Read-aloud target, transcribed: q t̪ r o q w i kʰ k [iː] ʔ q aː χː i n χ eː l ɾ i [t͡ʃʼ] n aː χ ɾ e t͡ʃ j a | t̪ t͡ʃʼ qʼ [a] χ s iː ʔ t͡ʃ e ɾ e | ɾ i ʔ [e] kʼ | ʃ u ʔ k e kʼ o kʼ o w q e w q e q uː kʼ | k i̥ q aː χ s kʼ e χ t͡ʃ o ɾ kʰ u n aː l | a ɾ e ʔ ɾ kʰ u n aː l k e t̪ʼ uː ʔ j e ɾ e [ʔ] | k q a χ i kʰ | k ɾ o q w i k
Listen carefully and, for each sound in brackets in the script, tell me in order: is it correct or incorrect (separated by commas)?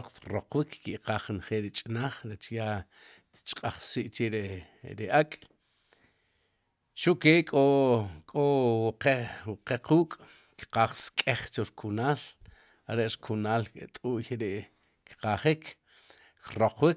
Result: incorrect, correct, correct, incorrect, correct